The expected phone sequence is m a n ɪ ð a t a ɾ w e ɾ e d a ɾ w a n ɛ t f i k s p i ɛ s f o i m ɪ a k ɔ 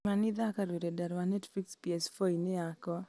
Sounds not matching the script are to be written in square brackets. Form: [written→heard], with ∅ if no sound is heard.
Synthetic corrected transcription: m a n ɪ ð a [t→k] a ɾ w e ɾ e d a ɾ w a n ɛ t f i k s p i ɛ s f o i [m→n] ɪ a k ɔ